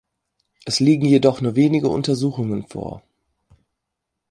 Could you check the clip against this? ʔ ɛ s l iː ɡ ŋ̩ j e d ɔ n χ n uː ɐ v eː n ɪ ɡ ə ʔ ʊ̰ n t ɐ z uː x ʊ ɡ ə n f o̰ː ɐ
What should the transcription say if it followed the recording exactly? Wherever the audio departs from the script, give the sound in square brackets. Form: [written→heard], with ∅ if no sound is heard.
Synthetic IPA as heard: ʔ ɛ s l iː ɡ ŋ̩ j e d ɔ [n→∅] χ n uː ɐ v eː n ɪ ɡ ə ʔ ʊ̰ n t ɐ z uː x ʊ [ɡ→ŋ] ə n f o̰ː ɐ

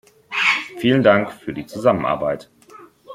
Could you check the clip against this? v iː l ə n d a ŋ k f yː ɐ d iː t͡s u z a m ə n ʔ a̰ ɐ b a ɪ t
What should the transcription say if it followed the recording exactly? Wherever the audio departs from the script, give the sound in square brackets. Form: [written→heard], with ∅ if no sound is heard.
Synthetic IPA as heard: [v→f] iː l ə n d a ŋ k f yː ɐ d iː t͡s u z a m ə n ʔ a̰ ɐ b a ɪ t

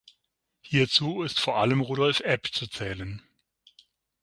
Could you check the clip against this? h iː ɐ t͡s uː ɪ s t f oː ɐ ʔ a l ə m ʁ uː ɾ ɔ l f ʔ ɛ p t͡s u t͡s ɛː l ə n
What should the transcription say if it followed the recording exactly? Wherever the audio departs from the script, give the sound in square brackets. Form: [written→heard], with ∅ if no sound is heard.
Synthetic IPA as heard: h iː ɐ t͡s uː ɪ s t f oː ɐ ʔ a l ə m ʁ uː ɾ ɔ l f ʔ ɛ p t͡s u t͡s ɛː l ə n

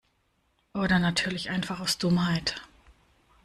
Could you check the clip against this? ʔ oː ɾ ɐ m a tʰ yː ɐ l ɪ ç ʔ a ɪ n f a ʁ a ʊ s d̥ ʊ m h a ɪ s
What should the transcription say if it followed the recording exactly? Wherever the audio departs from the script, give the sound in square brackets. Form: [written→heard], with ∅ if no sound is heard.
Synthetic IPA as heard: ʔ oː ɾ ɐ [m→n] a tʰ yː ɐ l ɪ ç ʔ a ɪ n f a [ʁ→χ] a ʊ s d̥ ʊ m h a ɪ [s→t]

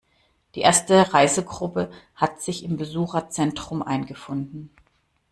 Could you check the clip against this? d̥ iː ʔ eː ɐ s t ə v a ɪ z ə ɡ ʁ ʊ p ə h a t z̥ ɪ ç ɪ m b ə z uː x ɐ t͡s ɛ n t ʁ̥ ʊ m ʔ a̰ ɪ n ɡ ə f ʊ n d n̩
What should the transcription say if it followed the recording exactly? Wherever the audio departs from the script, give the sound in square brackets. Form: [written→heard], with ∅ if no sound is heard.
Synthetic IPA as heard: d̥ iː ʔ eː ɐ s t ə [v→ʁ] a ɪ z ə ɡ ʁ ʊ p ə h a t z̥ ɪ ç ɪ m b ə z uː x ɐ t͡s ɛ n t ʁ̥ ʊ m ʔ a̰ ɪ n ɡ ə f ʊ n d n̩

